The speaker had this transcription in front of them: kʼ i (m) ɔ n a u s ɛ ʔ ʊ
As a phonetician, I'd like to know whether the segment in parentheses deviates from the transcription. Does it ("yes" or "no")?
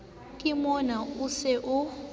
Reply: no